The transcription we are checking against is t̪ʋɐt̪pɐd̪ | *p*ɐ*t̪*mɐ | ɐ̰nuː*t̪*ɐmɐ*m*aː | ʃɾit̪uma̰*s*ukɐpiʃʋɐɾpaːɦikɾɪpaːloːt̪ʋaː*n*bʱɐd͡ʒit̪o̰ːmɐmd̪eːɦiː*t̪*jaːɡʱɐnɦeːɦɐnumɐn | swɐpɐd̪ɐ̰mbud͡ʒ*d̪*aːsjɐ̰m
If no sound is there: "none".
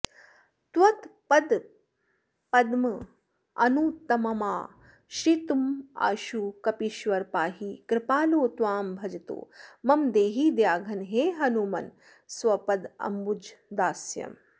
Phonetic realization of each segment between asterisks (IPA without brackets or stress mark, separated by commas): p, d̪, t̪, m, ʃ, m, d̪, d̪